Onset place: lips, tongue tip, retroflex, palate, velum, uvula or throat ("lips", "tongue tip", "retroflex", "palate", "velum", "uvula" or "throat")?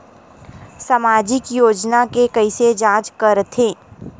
tongue tip